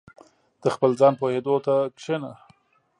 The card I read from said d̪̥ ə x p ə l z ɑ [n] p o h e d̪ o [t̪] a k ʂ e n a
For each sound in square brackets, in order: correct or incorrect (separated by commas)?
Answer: correct, correct